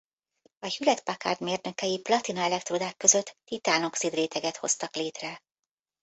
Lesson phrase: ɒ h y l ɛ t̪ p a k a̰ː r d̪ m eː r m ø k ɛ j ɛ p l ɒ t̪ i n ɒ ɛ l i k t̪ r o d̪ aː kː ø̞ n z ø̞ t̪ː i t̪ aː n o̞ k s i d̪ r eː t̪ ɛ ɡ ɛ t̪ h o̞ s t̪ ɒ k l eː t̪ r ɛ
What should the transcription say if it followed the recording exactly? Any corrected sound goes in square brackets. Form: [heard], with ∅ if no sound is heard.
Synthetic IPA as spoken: ɒ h y l ɛ t̪ p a k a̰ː r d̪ m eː r [n] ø k ɛ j [i] p l ɒ t̪ i n ɒ ɛ l [ɛ] k t̪ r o d̪ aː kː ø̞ [∅] z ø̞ t̪ː i t̪ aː n o̞ k s i d̪ r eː t̪ ɛ ɡ ɛ t̪ h o̞ s t̪ ɒ k l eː t̪ r ɛ